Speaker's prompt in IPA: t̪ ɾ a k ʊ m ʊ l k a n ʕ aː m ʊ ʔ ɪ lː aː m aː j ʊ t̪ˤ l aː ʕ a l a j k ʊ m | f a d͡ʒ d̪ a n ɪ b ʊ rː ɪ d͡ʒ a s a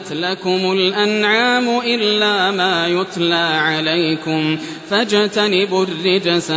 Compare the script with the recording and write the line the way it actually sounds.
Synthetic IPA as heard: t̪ l a k ʊ m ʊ l ʔ a n ʕ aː m ʊ ʔ ɪ lː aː m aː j ʊ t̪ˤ l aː ʕ a l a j k ʊ m | f a d͡ʒ t̪ a n ɪ b ʊ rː ɪ d͡ʒ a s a